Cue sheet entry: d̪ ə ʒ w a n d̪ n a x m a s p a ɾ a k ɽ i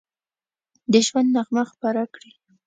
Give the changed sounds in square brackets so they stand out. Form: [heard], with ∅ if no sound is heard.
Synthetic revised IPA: d̪ ə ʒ w a n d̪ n a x m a [x] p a ɾ a k ɽ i